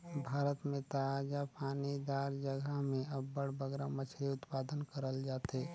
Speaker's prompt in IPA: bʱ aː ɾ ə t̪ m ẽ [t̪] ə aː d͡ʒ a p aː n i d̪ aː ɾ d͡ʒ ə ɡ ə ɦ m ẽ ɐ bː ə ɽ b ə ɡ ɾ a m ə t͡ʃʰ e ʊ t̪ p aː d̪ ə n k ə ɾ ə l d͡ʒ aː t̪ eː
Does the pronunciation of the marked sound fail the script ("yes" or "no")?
no